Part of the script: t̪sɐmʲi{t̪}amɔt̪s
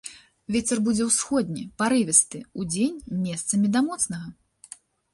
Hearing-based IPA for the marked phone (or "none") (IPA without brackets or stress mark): d̪